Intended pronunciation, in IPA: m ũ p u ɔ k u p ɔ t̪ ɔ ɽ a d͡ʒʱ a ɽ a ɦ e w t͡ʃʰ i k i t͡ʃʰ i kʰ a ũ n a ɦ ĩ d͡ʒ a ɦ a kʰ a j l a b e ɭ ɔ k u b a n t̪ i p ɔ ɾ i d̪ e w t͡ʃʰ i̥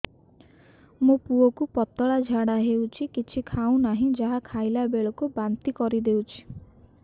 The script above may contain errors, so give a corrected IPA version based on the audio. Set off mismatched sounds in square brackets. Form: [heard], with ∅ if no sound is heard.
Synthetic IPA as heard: m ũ p u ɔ k u p ɔ t̪ ɔ [ɭ] a d͡ʒʱ a ɽ a ɦ e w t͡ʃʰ i k i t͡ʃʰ i kʰ a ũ n a ɦ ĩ d͡ʒ a ɦ a kʰ a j l a b e ɭ ɔ k u b a n t̪ i [k] ɔ ɾ i d̪ e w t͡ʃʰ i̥